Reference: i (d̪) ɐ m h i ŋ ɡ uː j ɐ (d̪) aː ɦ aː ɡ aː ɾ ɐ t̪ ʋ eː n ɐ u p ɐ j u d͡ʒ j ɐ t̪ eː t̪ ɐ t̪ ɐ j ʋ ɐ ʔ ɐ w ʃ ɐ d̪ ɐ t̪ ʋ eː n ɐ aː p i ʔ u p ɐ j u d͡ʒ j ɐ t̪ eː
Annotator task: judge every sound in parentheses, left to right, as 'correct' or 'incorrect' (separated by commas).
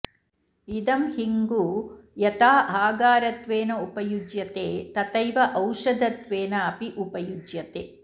correct, incorrect